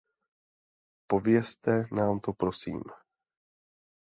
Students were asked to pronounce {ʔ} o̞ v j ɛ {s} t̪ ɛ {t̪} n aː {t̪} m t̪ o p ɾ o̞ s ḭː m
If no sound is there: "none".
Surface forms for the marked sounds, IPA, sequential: p, s, none, none

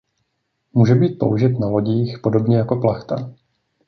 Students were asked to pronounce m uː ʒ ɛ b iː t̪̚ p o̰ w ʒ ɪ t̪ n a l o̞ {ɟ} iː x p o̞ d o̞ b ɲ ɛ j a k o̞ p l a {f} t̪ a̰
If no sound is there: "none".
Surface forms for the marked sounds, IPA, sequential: ɟ, x

